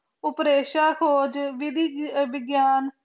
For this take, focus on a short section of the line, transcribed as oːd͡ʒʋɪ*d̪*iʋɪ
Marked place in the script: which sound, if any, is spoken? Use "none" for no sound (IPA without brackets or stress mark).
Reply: d̪